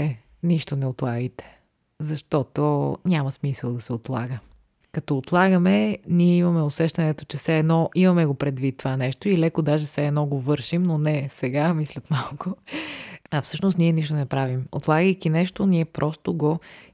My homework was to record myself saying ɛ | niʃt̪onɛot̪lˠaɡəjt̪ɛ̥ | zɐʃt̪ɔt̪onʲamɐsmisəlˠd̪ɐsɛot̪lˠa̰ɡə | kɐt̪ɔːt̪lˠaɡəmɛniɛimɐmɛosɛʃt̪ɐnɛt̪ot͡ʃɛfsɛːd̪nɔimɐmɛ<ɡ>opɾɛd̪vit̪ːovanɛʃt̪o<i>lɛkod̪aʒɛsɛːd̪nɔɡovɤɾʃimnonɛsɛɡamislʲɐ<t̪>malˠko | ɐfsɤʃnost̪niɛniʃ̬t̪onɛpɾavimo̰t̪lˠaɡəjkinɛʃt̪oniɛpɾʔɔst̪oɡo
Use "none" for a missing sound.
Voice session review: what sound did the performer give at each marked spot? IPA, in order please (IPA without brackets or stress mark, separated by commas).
ɡ, i, t̪